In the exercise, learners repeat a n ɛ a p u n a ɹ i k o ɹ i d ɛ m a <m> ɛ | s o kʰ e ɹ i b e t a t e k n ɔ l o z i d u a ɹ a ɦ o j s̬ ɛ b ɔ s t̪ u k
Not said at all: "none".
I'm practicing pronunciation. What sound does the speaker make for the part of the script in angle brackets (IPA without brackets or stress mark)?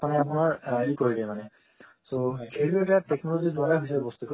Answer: n